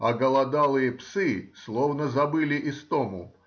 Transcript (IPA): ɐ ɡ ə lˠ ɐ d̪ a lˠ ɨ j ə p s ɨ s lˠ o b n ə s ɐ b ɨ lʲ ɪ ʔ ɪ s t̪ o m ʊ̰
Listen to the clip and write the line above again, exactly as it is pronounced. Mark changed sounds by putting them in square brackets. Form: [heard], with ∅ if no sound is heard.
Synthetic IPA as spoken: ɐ ɡ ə lˠ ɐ d̪ a lˠ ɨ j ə p s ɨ s lˠ o [v] n ə [z] ɐ b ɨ lʲ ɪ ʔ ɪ s t̪ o m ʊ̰